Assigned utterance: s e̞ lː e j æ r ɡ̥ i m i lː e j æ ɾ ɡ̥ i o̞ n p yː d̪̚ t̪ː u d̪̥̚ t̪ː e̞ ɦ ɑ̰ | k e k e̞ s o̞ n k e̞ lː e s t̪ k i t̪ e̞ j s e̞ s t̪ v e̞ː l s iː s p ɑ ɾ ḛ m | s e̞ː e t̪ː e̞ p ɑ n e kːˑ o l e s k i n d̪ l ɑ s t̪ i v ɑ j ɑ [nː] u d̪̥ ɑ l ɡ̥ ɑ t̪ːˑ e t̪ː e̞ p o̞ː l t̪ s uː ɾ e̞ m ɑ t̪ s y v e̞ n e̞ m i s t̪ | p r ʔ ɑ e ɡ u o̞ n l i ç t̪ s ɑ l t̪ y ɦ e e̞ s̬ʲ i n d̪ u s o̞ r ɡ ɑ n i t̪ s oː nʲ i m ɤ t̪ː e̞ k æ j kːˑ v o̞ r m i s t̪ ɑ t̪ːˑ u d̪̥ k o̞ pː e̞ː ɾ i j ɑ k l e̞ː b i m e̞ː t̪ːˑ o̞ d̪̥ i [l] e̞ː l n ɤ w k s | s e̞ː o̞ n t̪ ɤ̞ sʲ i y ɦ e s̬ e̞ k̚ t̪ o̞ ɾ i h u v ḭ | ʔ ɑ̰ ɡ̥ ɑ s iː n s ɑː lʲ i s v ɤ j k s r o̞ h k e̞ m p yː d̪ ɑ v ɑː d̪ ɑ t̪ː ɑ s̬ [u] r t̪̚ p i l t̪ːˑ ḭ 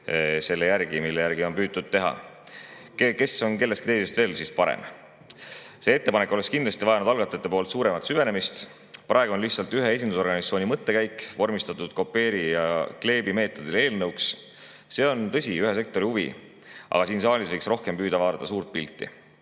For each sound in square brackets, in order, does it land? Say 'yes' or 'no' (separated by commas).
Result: no, yes, no